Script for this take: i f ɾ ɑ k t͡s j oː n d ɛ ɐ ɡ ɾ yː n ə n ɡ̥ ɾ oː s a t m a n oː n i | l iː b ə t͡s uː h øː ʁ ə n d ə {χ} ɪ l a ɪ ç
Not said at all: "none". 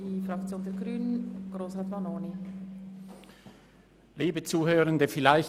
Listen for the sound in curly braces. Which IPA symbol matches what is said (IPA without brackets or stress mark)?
f